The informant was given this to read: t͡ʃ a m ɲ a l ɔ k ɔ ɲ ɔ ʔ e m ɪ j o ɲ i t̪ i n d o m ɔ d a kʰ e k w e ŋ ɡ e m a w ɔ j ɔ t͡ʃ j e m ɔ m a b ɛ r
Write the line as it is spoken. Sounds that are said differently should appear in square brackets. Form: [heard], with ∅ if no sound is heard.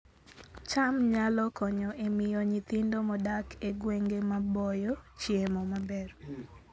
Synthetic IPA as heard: t͡ʃ a m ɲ a l ɔ k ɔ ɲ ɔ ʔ e m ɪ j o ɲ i t̪ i n d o m ɔ d a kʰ e [ɡ] w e ŋ ɡ e m a [b] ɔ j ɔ t͡ʃ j e m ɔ m a b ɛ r